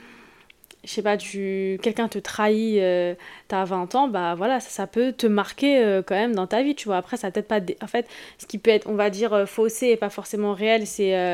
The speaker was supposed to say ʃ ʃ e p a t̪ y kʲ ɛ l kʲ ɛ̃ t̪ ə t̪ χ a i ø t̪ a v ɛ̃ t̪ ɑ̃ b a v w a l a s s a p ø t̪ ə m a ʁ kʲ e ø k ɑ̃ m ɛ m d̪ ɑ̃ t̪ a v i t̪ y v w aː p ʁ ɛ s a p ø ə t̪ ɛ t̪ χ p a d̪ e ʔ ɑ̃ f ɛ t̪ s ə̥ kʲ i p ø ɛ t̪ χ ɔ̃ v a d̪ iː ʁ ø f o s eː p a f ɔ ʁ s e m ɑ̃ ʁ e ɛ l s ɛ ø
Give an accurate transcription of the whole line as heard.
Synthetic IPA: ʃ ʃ e p a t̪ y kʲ ɛ l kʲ ɛ̃ t̪ ə t̪ χ a i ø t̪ a v ɛ̃ t̪ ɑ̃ b a v w a l a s s a p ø t̪ ə m a ʁ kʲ e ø k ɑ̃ m ɛ m d̪ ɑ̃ t̪ a v i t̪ y v w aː p χ ɛ s a p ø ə t̪ ɛ t̪ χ p a d̪ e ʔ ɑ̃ f ɛ t̪ s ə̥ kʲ i p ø ɛ t̪ χ ɔ̃ v a d̪ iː ʁ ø f o s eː p a f ɔ ʁ s e m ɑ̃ ʁ e ɛ l s ɛ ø